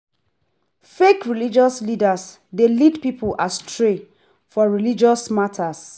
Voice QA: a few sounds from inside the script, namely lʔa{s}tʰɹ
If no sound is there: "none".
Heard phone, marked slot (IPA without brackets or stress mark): s